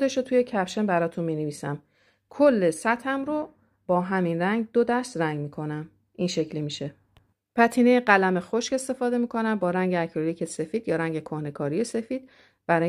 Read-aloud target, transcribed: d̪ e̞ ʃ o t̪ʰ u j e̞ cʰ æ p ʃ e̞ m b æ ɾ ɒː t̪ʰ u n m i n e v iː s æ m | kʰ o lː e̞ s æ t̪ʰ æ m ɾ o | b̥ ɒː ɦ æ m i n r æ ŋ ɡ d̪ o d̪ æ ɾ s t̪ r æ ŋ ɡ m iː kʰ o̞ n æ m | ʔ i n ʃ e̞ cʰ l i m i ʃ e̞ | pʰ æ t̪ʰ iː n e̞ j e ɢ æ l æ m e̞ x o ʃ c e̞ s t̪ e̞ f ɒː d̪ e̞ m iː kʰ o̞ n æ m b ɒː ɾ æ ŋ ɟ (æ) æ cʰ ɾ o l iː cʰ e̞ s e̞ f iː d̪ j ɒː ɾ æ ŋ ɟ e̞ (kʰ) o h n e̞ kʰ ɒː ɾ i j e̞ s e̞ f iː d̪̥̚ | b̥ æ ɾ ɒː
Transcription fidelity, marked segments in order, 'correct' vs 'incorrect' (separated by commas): incorrect, correct